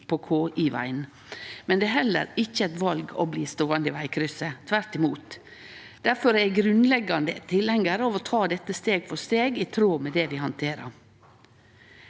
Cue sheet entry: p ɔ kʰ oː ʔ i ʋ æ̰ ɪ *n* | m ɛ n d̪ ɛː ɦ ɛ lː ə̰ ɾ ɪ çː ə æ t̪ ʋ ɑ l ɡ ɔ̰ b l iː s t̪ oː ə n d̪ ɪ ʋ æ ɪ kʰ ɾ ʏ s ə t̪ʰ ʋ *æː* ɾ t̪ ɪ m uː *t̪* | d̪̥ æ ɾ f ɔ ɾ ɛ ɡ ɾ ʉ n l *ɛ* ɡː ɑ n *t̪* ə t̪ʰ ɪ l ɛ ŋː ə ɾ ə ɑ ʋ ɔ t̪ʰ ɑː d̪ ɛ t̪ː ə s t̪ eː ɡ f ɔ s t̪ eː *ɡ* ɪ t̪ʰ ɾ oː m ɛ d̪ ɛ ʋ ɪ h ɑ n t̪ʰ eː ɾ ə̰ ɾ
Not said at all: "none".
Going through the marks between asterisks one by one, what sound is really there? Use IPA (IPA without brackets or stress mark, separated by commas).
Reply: n, æ, t̪, ɛ, d̪, ɡ